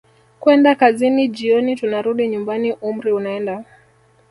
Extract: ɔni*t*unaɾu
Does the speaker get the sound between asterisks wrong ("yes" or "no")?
no